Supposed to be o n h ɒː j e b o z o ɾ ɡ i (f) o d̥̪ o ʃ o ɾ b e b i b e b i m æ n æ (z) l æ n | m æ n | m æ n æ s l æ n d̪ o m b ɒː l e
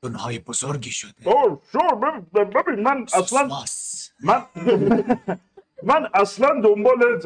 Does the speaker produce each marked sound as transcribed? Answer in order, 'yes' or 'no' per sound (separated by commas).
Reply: no, no